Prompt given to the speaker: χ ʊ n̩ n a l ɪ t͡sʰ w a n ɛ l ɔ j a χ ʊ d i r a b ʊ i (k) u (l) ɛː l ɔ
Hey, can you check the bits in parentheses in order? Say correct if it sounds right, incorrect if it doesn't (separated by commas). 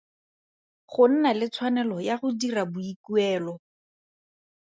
correct, incorrect